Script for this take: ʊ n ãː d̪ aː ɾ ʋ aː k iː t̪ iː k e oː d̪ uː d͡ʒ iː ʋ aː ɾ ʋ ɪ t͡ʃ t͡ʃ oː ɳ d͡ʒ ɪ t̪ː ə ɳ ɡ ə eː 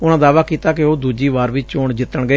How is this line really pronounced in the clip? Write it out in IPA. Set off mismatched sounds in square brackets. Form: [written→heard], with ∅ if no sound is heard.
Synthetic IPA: ʊ n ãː d̪ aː [ɾ→∅] ʋ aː k iː t̪ [iː→aː] k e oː d̪ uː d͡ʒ iː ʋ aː ɾ ʋ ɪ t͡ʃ t͡ʃ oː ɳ d͡ʒ ɪ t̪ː ə ɳ ɡ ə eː